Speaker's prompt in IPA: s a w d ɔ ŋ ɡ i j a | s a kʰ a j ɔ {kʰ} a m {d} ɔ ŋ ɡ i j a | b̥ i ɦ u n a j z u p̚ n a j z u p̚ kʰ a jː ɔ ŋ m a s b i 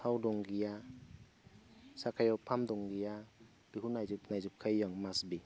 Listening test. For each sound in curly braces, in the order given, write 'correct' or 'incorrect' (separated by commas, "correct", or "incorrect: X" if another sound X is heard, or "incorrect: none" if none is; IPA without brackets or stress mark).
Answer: incorrect: pʰ, correct